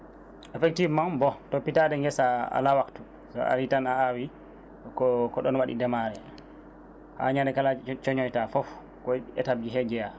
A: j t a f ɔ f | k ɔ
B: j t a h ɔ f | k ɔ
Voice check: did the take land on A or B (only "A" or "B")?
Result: A